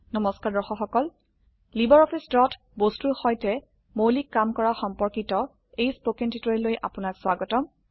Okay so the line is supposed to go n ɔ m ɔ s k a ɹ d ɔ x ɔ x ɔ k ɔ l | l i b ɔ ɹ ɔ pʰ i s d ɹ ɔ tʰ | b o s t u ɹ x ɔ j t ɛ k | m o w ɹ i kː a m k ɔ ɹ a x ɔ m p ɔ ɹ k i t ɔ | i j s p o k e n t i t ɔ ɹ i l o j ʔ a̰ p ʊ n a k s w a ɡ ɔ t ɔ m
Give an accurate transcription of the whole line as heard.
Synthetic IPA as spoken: n ɔ m ɔ s k a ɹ d ɔ x ɔ x ɔ k ɔ l | l i b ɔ ɹ ɔ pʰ i s d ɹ ɔ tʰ | b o s t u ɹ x ɔ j t ɛ | m o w l i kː a m k ɔ ɹ a x ɔ m p ɔ ɹ k i t ɔ | e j s p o k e n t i t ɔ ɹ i l o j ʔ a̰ p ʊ n a k s w a ɡ ɔ t ɔ m